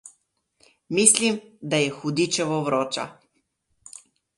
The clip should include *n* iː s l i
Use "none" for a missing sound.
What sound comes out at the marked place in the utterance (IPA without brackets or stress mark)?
m